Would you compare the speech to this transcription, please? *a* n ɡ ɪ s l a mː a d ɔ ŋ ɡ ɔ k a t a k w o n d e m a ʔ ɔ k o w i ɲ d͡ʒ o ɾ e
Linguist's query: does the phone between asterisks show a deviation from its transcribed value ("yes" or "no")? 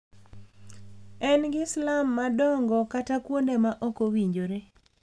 yes